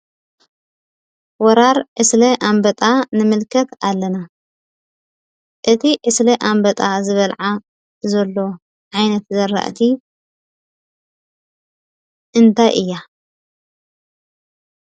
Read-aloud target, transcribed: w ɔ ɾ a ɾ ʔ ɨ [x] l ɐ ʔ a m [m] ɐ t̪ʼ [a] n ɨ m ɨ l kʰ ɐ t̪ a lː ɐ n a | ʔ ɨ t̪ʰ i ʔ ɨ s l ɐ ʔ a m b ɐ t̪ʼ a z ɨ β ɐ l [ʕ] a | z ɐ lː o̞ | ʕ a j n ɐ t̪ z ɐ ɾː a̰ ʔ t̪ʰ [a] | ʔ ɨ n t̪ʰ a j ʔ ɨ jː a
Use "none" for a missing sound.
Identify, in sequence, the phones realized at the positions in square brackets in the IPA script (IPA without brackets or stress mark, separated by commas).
s, b, a, ʕ, i